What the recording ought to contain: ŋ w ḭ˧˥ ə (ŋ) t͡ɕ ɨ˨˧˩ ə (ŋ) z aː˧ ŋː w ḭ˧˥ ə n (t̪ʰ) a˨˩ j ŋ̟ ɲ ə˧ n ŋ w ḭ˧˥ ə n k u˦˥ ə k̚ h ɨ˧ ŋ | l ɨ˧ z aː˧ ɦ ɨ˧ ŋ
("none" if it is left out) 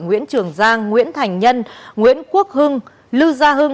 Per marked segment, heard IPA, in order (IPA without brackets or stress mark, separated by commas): n, ŋ, t̪ʰ